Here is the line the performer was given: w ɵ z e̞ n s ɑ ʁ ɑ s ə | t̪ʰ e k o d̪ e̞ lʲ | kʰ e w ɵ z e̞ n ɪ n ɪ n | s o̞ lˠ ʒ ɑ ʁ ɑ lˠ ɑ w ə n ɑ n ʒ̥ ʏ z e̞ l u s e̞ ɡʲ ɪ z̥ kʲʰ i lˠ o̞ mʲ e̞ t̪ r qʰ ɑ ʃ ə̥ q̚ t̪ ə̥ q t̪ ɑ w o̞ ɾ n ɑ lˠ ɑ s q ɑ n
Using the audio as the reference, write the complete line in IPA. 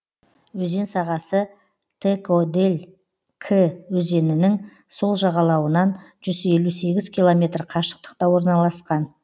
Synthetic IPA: w ɵ z e̞ n s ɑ ʁ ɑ s ə | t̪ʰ e k o d̪ e̞ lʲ | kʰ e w ɵ z e̞ n ɪ n ɪ ŋ | s o̞ lˠ ʒ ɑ ʁ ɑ lˠ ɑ w ə n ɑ n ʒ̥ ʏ z e̞ l u s e̞ ɡʲ ɪ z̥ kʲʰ i lˠ o̞ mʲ e̞ t̪ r qʰ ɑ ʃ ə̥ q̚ t̪ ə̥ q t̪ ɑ w o̞ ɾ n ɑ lˠ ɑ s q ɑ n